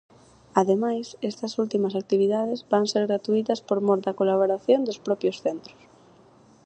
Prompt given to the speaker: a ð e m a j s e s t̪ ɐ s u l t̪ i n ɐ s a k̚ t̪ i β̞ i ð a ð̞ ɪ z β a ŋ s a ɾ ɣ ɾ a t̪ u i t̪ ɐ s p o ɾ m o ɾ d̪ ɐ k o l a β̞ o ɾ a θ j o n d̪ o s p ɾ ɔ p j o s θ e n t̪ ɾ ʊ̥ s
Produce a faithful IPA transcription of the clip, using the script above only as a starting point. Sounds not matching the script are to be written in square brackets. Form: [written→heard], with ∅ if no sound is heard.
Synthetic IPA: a ð e m a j s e s t̪ ɐ s u l t̪ i [n→m] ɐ s a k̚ t̪ i β̞ i ð a ð̞ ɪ z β a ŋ s [a→e] ɾ ɣ ɾ a t̪ u i t̪ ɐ s p o ɾ m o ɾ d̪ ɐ k o l a β̞ o ɾ a θ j o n d̪ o s p ɾ ɔ p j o s θ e n t̪ ɾ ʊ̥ s

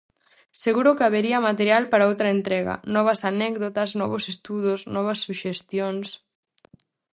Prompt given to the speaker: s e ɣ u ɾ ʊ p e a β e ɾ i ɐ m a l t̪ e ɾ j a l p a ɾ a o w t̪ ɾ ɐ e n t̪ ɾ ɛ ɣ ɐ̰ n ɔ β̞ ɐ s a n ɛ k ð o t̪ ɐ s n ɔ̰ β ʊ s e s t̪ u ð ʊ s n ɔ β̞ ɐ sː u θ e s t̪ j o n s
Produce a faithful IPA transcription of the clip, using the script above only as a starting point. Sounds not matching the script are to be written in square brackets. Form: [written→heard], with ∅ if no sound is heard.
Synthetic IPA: s e ɣ u ɾ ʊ [p→k] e a β e ɾ i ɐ m a [l→∅] t̪ e ɾ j a l p a ɾ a o w t̪ ɾ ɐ e n t̪ ɾ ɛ ɣ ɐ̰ n ɔ β̞ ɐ s a n ɛ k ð o t̪ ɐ s n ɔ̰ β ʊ s e s t̪ u ð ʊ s n ɔ β̞ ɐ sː u [θ→ʃ] e s t̪ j o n s

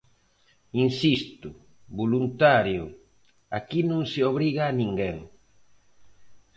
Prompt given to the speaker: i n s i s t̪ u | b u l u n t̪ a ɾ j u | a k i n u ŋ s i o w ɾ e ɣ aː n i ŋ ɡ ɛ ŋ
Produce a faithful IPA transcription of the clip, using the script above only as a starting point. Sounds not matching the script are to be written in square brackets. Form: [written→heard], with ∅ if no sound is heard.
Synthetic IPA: i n s i s t̪ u | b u l u n t̪ a ɾ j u | a k i n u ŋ s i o [w→β] ɾ [e→i] ɣ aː n i ŋ ɡ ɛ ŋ

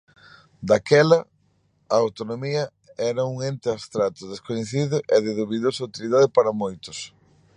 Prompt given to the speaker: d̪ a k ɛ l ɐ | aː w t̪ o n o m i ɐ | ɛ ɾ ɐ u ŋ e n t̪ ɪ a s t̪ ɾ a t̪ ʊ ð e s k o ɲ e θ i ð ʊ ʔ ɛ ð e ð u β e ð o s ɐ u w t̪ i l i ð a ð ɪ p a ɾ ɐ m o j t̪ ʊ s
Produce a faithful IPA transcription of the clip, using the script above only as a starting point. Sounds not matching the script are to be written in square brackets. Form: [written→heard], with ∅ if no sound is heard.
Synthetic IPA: d̪ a k ɛ l ɐ | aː w t̪ o n o m i ɐ | ɛ ɾ ɐ u ŋ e n t̪ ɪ a s t̪ ɾ a t̪ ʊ ð e s k o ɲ e θ i ð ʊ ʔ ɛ ð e ð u β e ð o s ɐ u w t̪ i l i ð a ð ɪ p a ɾ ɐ m o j t̪ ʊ s

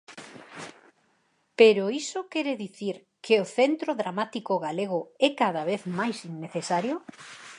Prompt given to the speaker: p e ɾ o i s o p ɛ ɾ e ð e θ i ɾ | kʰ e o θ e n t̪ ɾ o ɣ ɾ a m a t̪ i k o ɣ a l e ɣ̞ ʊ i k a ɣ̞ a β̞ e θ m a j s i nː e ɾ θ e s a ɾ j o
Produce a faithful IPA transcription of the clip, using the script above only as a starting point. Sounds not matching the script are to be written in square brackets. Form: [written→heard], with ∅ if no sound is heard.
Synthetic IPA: p e ɾ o i s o [p→k] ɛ ɾ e ð [e→i] θ i ɾ | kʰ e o θ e n t̪ ɾ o [ɣ→ð] ɾ a m a t̪ i k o ɣ a l e ɣ̞ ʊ [i→ɛ] k a [ɣ̞→ð̞] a β̞ e θ m a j s i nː e [ɾ→∅] θ e s a ɾ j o

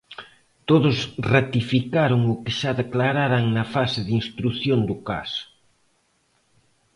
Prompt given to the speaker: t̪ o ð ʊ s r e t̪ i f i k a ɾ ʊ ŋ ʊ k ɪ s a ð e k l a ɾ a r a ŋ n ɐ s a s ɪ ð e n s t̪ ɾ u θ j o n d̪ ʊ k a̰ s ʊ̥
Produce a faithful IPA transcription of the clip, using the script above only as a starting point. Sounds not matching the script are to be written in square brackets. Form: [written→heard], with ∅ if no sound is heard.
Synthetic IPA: t̪ o ð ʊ s r [e→a] t̪ i f i k a ɾ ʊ ŋ ʊ k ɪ [s→ʃ] a ð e k l a ɾ a [r→ɾ] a ŋ n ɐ [s→f] a s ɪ ð [e→i] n s t̪ ɾ u θ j o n d̪ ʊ k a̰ s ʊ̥

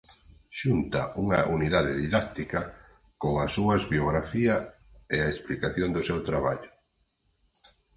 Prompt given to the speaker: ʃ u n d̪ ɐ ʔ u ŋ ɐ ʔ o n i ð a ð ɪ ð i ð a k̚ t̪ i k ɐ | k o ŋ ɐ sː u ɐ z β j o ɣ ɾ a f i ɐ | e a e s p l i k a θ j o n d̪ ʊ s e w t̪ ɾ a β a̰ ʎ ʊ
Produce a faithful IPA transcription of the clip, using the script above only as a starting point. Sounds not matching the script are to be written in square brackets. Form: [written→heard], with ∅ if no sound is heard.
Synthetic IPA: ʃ u n [d̪→t̪] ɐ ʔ u ŋ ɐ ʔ [o→u] n i ð a ð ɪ ð i ð a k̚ t̪ i k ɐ | k o ŋ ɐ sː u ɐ z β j o ɣ ɾ a f i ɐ | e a e s p l i k a θ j o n d̪ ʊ s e w t̪ ɾ a β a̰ ʎ ʊ

